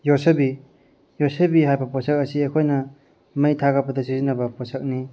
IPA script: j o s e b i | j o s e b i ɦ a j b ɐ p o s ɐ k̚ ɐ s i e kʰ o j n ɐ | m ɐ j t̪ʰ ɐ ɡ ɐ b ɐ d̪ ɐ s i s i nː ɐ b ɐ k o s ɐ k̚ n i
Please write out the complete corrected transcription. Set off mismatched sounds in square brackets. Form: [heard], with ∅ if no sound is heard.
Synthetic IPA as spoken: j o s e b i | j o s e b i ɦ a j b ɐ p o s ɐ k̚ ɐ s i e kʰ o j n ɐ | m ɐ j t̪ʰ [a] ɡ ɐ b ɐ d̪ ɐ s i [z] i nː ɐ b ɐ [p] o s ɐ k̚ n i

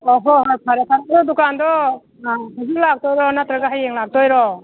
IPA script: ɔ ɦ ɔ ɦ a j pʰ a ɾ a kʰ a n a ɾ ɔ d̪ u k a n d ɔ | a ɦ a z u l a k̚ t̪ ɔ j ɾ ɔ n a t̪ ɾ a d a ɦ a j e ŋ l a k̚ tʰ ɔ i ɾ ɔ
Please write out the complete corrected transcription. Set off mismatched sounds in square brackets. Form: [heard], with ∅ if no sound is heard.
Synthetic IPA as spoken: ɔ ɦ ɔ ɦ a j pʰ a ɾ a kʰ a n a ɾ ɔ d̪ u k a n d ɔ | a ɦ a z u l a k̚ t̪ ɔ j ɾ ɔ n a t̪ ɾ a [ɡ] a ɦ a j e ŋ l a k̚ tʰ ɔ [j] ɾ ɔ

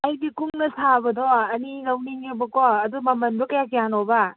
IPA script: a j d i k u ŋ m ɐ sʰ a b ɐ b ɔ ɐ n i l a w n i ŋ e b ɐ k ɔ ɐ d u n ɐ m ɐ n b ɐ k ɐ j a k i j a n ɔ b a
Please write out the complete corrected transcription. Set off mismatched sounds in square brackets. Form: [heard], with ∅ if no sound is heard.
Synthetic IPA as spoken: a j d i k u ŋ [n] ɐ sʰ a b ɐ [d] ɔ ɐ n i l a w n i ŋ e b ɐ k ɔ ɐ d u [m] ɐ m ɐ n b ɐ k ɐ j a k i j a n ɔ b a

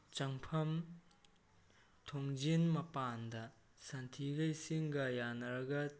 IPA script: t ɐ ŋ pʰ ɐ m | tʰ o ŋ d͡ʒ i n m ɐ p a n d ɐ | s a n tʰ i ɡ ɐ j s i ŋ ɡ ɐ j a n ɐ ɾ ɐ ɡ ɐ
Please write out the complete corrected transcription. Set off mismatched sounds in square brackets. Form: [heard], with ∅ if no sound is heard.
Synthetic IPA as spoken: [t͡ʃ] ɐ ŋ pʰ ɐ m | tʰ o ŋ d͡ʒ i n m ɐ p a n d ɐ | s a n tʰ i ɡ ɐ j s i ŋ ɡ ɐ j a n ɐ ɾ ɐ ɡ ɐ

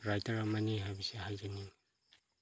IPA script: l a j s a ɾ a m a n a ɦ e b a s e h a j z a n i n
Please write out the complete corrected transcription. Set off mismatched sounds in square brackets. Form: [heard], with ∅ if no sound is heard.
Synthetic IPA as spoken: [ɾ] a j [t] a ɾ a m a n [i] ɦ [a] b [i] s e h a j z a n i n

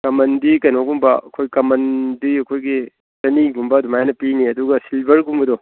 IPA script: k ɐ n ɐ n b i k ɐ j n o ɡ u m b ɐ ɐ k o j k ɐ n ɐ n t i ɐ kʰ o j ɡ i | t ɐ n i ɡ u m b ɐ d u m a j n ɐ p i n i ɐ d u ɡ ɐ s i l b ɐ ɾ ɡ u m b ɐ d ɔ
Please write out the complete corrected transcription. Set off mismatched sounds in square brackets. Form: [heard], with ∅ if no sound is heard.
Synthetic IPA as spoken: k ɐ [m] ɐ n [d] i k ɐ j n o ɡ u m b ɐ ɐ [kʰ] o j k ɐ [m] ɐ n [d] i ɐ kʰ o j ɡ i | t ɐ n i ɡ u m b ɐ d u m a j n ɐ p i n i ɐ d u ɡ ɐ s i l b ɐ ɾ ɡ u m b ɐ d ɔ

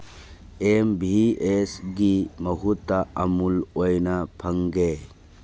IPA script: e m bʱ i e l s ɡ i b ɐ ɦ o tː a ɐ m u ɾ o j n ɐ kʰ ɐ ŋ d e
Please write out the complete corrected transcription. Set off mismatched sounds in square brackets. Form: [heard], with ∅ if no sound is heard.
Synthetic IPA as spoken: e m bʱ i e [∅] s ɡ i [m] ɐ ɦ [u] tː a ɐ m u [l] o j n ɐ [pʰ] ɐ ŋ [ɡ] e

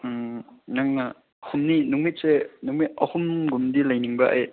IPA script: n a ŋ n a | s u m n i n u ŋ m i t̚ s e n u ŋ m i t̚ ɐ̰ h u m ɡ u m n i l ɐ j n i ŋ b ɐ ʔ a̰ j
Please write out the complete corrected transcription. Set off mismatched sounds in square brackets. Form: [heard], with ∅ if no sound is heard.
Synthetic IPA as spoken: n a ŋ n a | [h] u m n i n u ŋ m i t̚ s e n u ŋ m i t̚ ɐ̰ h u m ɡ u m [d] i l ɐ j n i ŋ b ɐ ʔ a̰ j

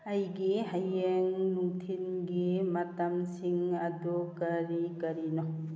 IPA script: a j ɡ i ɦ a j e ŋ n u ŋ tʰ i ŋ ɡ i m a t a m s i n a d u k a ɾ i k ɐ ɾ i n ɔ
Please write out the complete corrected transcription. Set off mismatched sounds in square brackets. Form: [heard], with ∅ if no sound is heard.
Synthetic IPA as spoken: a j ɡ i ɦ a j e ŋ n u ŋ tʰ i [n] ɡ i m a t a m s i [ŋ] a d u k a ɾ i k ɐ ɾ i n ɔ

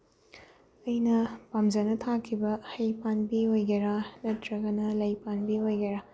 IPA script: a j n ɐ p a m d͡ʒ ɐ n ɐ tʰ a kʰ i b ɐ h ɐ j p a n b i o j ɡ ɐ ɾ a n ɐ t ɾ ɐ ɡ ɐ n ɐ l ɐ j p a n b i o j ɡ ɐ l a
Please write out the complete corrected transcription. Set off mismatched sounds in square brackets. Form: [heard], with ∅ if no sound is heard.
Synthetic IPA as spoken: [ɐ] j n ɐ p a m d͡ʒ ɐ n ɐ tʰ a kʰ i b ɐ h ɐ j p a n b i o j ɡ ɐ ɾ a n ɐ t ɾ ɐ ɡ ɐ n ɐ l ɐ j p a n b i o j ɡ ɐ [ɾ] a

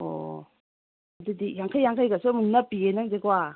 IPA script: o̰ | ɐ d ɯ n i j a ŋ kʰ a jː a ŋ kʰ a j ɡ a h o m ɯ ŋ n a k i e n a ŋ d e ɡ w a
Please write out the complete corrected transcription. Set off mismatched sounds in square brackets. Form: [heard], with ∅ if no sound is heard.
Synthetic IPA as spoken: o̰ | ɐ d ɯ [d] i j a ŋ kʰ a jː a ŋ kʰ a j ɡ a [s] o m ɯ ŋ n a [p] i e n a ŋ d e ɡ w a

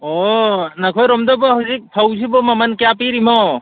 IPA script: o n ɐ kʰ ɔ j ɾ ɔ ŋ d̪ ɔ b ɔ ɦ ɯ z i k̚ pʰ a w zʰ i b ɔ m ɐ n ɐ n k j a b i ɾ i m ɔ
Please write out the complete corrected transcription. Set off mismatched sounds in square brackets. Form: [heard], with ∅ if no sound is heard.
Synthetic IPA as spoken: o n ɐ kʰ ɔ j ɾ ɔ [m] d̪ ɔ b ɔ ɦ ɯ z i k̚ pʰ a w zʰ i b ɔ m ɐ [m] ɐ n k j a [p] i ɾ i m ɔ

